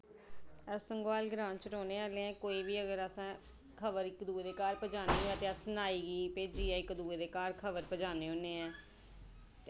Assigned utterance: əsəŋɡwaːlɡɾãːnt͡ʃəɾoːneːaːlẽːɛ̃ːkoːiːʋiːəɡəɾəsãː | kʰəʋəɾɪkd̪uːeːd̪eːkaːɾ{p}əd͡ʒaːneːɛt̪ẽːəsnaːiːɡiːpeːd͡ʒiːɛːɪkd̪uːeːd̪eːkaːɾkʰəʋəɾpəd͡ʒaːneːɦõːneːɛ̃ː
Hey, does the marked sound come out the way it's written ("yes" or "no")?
yes